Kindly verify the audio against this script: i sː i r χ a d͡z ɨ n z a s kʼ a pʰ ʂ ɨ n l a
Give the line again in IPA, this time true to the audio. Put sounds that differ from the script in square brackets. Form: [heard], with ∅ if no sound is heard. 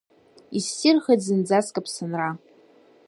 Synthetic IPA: i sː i r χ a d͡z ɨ n [d͡z] a s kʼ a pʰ [s] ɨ n [r] a